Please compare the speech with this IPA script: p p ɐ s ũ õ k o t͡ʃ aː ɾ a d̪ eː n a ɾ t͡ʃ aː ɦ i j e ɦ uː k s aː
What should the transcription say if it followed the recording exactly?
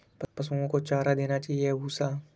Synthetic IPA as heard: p p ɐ s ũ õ k o t͡ʃ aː ɾ a d̪ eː n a t͡ʃ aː ɦ i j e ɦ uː s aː